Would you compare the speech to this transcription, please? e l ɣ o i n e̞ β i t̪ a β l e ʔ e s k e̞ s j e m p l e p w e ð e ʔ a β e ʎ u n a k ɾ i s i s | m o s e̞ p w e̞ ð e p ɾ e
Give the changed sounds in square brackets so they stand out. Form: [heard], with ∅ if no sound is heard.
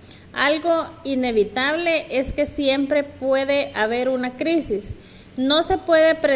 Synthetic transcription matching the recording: [a] l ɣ o i n e̞ β i t̪ a β l e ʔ e s k e̞ s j e m p [ɾ] e p w e ð e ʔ a β e [ɾ] u n a k ɾ i s i s | [n] o s e̞ p w e̞ ð e p ɾ e